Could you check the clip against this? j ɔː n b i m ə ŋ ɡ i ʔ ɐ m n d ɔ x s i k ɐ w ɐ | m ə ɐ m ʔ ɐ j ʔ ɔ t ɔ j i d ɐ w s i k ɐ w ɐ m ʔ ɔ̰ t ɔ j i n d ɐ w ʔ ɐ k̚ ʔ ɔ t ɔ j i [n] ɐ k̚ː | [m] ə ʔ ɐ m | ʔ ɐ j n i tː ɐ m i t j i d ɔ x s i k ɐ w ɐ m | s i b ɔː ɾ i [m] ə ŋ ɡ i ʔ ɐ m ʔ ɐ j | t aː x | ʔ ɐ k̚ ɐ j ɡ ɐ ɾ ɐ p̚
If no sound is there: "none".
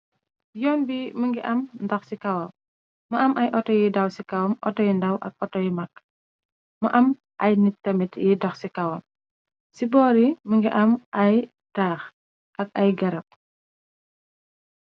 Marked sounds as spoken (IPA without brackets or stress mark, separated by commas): m, m, m